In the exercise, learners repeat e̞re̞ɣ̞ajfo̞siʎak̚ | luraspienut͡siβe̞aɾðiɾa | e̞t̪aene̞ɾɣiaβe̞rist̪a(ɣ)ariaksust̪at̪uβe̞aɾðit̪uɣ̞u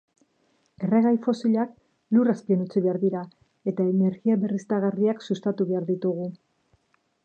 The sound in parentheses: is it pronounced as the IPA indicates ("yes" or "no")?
yes